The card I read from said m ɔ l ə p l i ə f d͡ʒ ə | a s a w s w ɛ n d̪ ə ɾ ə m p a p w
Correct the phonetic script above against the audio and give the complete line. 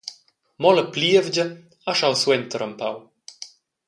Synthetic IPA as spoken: m ɔ l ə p l i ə v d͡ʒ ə | a ʃ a w s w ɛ n t̪ ə ɾ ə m p a w